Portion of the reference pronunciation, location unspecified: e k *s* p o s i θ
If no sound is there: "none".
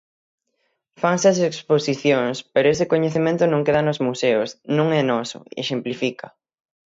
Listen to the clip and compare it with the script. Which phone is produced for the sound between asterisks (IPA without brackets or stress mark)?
s